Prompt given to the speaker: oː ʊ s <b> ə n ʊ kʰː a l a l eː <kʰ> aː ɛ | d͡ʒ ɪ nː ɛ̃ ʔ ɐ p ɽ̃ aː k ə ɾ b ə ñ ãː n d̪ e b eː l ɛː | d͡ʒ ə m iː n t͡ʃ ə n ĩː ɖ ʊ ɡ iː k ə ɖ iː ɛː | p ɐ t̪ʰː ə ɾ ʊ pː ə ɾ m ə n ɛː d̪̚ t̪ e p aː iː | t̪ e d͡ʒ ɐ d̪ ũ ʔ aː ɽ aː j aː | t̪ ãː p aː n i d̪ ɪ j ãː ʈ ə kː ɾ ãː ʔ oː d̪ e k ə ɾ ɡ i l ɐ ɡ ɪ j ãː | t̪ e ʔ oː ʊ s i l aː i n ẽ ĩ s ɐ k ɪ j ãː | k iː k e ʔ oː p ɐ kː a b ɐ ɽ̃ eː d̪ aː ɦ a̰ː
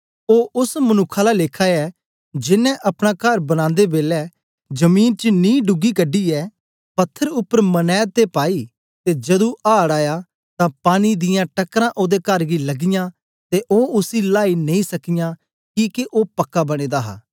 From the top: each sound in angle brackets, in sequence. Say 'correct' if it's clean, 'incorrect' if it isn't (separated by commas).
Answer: incorrect, correct